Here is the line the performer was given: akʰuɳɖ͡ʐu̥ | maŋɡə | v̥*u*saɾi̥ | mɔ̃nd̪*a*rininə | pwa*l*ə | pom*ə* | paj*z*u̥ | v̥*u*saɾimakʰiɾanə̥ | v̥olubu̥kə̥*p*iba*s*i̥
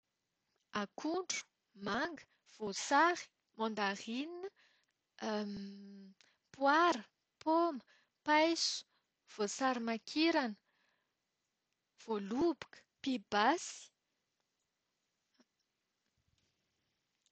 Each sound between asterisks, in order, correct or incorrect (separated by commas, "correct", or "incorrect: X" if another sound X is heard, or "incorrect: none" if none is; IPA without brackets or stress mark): incorrect: o, correct, incorrect: ɾ, correct, incorrect: s, incorrect: o, correct, correct